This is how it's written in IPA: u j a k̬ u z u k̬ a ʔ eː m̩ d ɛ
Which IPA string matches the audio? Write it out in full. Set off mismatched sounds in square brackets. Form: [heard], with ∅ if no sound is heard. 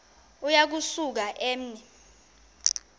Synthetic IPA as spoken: u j a k̬ u [s] u k̬ a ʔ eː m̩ [n] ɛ